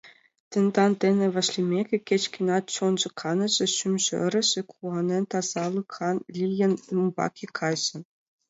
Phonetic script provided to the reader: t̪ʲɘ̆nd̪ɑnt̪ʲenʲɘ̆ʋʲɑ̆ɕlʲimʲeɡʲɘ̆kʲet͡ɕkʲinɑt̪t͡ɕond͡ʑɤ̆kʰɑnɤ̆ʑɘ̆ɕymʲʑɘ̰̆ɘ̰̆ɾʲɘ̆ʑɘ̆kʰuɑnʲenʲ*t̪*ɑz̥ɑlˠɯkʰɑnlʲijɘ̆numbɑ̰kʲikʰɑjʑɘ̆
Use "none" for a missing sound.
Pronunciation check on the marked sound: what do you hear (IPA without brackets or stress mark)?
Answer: t̪